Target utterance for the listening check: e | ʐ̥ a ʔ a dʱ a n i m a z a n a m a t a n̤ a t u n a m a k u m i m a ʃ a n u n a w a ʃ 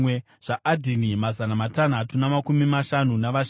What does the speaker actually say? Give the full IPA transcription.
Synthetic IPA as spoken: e | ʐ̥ a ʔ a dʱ i n i m a z a n a m a t a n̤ a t u n a m a k u m i m a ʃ a n u n a ʋ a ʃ